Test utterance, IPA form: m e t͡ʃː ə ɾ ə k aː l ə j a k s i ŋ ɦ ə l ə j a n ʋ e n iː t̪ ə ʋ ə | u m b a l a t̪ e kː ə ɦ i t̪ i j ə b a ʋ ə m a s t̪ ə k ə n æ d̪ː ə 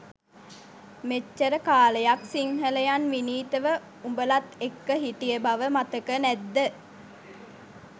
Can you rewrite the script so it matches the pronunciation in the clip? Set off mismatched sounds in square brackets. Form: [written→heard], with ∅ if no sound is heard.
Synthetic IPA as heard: m e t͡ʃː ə ɾ ə k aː l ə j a k s i ŋ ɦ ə l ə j a n ʋ [e→i] n iː t̪ ə ʋ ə | u m b [a→ə] l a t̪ e kː ə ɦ i t̪ i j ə b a ʋ ə m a [s→∅] t̪ ə k ə n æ d̪ː ə